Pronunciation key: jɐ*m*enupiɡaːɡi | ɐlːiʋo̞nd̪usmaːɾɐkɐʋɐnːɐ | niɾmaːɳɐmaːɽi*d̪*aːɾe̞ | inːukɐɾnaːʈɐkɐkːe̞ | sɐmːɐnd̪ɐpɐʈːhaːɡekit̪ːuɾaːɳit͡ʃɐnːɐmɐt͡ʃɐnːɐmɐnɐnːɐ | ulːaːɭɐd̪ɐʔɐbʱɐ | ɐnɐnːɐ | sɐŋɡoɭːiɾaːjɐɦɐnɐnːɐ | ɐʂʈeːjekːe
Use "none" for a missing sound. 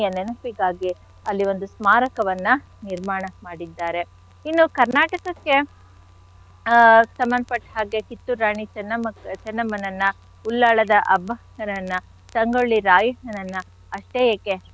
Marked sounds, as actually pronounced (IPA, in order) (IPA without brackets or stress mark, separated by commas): n, d̪ː